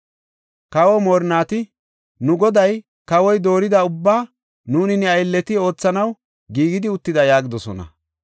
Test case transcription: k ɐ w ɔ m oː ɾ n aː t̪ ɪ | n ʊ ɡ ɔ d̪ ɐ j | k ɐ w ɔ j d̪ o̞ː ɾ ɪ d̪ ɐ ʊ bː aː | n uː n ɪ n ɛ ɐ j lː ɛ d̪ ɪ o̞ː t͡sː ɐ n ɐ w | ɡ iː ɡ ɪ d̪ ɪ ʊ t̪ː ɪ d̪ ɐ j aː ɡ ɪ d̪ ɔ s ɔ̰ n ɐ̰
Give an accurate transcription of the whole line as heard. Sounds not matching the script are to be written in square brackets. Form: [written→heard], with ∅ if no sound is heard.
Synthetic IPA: k ɐ w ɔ m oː ɾ n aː t̪ ɪ | n ʊ ɡ ɔ d̪ ɐ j | k ɐ w ɔ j d̪ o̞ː ɾ ɪ d̪ ɐ ʊ bː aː | n uː n ɪ n ɛ ɐ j lː ɛ [d̪→t̪] ɪ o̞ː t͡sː ɐ n ɐ w | ɡ iː ɡ ɪ d̪ ɪ ʊ t̪ː ɪ d̪ ɐ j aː ɡ ɪ d̪ ɔ s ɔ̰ n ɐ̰